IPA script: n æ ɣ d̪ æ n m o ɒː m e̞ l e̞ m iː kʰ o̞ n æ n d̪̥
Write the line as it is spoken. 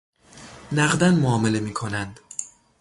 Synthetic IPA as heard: n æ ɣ d̪ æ n m o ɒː m e̞ l e̞ m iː kʰ o̞ n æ n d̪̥